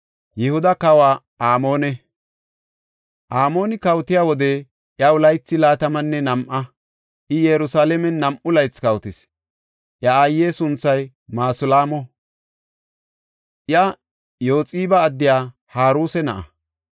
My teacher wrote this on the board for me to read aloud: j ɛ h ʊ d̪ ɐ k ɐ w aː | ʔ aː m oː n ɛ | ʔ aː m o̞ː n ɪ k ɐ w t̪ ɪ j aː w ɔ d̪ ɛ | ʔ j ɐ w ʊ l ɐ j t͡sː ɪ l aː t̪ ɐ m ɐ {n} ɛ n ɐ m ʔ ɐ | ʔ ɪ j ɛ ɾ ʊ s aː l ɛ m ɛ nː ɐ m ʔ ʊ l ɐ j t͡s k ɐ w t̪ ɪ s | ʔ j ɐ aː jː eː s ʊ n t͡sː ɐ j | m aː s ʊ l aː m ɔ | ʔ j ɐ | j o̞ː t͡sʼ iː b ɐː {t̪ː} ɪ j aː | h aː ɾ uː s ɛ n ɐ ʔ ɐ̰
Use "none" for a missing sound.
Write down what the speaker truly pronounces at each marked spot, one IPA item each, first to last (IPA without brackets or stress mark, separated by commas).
nː, d̪ː